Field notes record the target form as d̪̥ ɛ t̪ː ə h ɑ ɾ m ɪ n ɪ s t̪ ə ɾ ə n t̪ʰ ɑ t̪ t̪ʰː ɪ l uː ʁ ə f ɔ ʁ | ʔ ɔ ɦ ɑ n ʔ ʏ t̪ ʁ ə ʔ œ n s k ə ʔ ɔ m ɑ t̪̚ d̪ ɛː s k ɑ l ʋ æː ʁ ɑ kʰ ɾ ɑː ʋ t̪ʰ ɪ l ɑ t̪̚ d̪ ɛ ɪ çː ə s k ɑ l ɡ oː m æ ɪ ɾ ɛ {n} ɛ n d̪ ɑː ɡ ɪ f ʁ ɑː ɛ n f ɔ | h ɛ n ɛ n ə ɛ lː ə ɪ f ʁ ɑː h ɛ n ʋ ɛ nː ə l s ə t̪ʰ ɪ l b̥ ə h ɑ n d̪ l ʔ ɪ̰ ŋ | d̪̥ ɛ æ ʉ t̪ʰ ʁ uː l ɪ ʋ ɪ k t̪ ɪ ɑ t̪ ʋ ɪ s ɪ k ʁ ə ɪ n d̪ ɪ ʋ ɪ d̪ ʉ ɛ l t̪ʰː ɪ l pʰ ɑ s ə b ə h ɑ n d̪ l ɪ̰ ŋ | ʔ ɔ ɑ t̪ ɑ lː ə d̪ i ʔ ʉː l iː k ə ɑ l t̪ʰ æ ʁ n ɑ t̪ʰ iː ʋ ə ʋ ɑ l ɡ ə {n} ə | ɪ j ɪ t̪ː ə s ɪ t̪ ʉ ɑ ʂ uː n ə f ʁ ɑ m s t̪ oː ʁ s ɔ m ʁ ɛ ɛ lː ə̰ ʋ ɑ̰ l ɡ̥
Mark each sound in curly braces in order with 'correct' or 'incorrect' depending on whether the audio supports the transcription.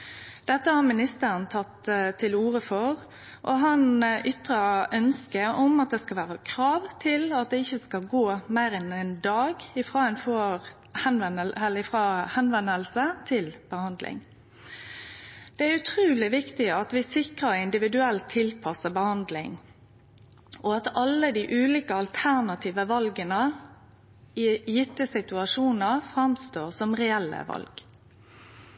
correct, correct

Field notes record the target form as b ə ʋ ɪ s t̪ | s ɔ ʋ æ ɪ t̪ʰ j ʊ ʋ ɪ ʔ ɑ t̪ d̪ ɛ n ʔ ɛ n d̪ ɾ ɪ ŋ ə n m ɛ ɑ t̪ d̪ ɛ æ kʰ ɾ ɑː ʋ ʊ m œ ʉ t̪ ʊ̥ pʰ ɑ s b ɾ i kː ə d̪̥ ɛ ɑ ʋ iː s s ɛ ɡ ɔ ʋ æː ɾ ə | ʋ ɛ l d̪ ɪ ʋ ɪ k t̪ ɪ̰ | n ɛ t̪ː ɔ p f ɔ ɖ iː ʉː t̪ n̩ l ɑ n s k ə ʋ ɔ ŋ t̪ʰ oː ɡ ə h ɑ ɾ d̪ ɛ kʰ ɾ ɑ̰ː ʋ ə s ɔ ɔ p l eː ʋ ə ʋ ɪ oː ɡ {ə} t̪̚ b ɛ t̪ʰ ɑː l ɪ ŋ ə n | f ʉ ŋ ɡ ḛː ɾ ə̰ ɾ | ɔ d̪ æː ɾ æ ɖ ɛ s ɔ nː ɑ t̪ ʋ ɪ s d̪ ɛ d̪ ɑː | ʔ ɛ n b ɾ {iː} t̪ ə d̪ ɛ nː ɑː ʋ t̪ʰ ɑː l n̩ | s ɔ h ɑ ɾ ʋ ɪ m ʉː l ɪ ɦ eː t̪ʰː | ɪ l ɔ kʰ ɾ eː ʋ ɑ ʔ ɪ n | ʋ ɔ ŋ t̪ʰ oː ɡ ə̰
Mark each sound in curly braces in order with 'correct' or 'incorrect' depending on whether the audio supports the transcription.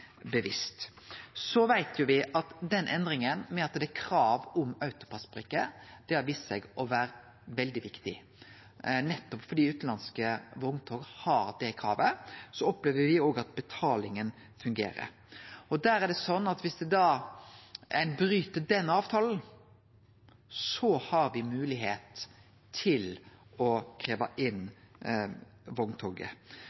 incorrect, incorrect

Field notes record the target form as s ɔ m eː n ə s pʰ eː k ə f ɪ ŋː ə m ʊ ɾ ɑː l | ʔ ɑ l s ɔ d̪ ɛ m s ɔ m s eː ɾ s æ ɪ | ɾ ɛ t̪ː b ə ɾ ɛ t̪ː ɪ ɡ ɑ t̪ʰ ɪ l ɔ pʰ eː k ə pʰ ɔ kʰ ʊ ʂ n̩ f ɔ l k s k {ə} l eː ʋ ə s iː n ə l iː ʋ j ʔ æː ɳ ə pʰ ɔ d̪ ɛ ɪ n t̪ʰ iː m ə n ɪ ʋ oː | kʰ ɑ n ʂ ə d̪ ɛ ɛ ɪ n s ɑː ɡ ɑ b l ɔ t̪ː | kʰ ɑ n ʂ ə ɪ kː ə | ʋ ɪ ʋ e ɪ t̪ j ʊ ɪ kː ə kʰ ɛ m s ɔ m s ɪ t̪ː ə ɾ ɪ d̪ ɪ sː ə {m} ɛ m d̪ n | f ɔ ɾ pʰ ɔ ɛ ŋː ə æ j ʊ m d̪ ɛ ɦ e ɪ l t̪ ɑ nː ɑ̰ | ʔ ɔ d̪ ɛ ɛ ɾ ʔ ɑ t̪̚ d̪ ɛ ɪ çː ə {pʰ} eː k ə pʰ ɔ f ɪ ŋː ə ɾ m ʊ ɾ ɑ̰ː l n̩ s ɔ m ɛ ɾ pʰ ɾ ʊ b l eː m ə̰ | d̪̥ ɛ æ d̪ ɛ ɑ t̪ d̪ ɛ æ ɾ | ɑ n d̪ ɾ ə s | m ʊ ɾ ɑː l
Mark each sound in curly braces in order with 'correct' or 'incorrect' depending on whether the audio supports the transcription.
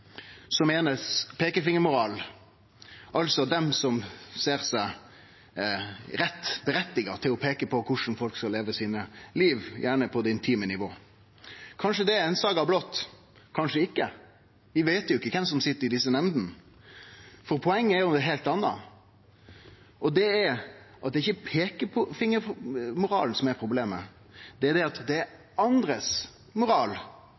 incorrect, incorrect, correct

